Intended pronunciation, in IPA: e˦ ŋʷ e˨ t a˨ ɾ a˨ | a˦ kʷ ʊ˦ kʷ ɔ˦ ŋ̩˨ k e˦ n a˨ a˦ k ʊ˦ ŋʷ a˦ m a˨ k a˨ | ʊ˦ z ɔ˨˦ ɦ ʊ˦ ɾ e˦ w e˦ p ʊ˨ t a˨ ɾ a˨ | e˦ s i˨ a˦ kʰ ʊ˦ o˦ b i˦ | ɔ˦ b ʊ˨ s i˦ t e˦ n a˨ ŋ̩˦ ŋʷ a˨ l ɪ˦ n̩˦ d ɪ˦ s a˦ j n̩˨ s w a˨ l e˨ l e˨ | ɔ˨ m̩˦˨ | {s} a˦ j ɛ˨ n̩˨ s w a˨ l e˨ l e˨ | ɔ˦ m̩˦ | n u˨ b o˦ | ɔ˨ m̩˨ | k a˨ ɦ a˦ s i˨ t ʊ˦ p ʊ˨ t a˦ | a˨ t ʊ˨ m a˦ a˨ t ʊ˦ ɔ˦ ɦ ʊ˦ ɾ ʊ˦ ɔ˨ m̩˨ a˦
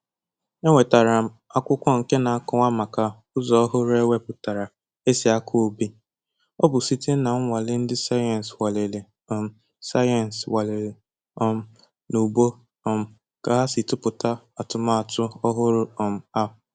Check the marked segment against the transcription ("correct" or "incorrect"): correct